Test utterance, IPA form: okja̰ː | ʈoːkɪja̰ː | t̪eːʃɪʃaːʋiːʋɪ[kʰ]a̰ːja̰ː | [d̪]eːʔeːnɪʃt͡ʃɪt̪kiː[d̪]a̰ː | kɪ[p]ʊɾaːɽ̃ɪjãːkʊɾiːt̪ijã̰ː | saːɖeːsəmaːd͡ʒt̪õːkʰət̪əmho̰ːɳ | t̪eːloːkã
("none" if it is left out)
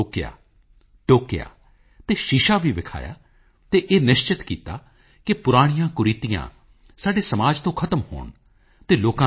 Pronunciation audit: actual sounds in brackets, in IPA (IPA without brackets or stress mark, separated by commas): kʰ, t̪, t̪, p